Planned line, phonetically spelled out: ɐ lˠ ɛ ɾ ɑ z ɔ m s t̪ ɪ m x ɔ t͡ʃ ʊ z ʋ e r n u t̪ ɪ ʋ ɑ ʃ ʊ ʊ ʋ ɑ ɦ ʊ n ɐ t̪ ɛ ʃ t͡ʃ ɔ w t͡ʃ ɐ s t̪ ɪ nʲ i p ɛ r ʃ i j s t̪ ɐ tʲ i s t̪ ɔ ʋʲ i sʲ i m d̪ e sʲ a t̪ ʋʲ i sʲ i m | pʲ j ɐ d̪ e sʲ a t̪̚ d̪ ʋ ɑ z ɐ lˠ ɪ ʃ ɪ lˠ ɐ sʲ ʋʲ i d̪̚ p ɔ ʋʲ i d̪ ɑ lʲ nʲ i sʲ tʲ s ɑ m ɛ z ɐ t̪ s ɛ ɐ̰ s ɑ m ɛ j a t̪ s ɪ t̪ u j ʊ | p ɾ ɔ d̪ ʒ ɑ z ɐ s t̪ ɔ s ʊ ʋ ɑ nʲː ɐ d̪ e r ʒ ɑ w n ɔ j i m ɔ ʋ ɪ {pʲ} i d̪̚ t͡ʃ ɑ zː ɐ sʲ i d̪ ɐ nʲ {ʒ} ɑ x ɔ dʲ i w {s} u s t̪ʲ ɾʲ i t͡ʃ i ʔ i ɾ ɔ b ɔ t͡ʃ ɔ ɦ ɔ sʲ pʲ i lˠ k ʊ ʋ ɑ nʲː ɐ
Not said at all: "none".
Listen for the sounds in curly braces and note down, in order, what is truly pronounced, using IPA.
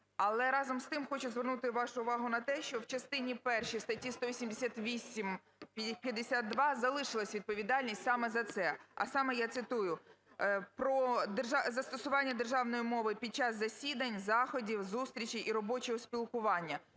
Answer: pʲ, z, z

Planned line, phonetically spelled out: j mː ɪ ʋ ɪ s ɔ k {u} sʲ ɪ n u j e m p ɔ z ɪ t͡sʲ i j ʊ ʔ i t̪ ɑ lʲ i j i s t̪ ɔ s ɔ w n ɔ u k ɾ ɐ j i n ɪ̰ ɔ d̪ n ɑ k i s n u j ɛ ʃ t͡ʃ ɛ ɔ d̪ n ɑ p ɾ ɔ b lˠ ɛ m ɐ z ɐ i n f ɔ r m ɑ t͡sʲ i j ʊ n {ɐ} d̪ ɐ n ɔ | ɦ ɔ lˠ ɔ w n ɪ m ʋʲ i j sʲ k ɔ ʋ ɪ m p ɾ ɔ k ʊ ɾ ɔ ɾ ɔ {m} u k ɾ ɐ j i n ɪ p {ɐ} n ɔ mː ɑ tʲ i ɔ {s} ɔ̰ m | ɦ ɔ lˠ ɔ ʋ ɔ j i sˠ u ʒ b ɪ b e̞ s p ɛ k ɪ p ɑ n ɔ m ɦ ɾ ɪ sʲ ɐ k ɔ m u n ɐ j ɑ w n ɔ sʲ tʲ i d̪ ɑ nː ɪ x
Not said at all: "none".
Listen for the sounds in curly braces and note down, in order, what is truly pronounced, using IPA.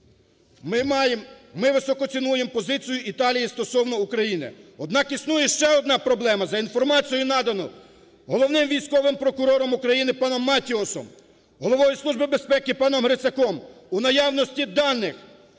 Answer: ɔ, ɑ, m, ɑ, s

